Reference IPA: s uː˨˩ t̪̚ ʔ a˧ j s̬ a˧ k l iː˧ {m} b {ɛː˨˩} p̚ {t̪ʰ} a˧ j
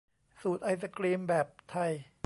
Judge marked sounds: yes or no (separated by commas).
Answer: yes, yes, yes